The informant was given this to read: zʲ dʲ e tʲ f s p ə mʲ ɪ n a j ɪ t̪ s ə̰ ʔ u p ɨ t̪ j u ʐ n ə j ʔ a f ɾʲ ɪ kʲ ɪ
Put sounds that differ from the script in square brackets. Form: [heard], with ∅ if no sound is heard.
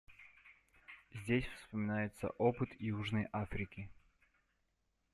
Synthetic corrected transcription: zʲ dʲ e [sʲ] f s p ə mʲ ɪ n a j ɪ t̪ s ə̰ ʔ [o] p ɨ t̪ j u ʐ n ə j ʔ a f ɾʲ ɪ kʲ ɪ